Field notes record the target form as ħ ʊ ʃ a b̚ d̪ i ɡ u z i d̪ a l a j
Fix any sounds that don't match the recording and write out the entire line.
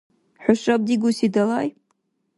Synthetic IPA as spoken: ħ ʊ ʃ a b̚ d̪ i ɡ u s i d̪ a l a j